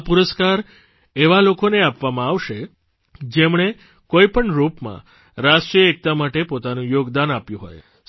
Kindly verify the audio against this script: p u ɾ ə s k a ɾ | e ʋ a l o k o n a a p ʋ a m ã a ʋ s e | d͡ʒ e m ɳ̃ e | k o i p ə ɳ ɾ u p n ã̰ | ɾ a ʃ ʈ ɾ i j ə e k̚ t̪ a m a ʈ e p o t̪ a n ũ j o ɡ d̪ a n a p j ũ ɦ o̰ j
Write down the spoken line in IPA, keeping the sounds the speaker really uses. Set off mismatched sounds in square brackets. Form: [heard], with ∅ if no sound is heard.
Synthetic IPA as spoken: p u ɾ ə s k a ɾ | e ʋ a l o k o n [e] a p ʋ a m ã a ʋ [ʃ] e | d͡ʒ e m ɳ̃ e | k o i p ə ɳ ɾ u p [m] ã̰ | ɾ a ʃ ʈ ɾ i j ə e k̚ t̪ a m a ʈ e p o t̪ a n ũ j o ɡ d̪ a n a p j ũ ɦ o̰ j